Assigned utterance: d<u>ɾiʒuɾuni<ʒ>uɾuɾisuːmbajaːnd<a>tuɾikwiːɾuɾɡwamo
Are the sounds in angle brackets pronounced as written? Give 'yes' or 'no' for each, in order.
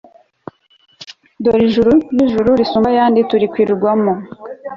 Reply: no, yes, no

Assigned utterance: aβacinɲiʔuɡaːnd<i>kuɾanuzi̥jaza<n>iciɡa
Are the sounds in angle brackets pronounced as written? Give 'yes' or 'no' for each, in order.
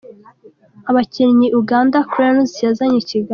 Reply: no, no

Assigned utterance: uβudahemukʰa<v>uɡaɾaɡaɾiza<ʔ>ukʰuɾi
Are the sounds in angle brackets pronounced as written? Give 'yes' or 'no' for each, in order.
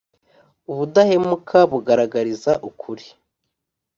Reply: no, yes

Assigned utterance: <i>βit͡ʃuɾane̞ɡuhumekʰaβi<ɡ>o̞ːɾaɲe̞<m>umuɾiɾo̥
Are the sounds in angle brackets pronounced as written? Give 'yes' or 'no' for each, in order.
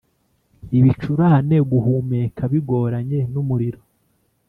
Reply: yes, yes, no

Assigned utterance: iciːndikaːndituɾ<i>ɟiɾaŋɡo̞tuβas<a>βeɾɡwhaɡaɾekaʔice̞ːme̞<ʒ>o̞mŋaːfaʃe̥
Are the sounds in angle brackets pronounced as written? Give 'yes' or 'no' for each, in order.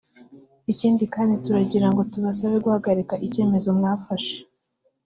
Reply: no, yes, no

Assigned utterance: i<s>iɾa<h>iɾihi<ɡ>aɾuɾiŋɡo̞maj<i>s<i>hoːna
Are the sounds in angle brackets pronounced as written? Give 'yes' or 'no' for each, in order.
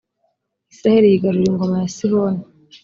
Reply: yes, yes, yes, no, yes

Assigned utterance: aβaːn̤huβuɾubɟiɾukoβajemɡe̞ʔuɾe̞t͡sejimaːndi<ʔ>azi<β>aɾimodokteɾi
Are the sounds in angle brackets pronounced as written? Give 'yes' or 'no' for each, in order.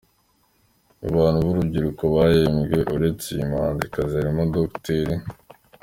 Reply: no, no

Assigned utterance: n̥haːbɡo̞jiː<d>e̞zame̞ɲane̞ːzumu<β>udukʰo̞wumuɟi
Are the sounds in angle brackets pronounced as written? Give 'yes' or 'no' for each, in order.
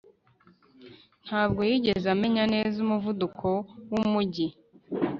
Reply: no, no

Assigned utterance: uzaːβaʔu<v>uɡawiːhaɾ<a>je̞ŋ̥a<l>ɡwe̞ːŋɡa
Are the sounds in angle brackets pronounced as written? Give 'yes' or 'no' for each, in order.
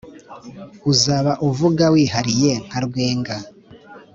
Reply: yes, no, no

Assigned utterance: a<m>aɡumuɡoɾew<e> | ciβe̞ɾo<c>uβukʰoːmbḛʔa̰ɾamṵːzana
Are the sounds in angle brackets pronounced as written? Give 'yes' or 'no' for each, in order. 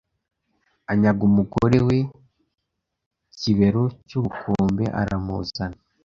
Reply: no, yes, yes

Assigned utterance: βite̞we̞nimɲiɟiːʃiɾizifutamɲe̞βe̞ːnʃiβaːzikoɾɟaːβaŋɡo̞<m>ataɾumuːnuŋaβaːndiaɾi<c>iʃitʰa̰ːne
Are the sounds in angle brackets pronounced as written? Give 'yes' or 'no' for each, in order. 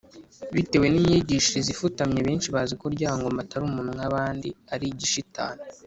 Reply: yes, no

